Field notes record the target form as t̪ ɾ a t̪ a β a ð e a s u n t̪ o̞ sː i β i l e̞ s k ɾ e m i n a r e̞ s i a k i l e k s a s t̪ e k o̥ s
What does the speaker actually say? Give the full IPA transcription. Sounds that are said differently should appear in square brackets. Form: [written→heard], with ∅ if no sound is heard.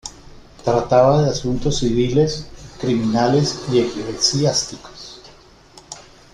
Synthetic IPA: t̪ ɾ a t̪ a β a ð e a s u n t̪ o̞ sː i β i l e̞ s k ɾ [e→i] m i n a [r→l] e̞ s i [a→e] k i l e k s a s t̪ [e→i] k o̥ s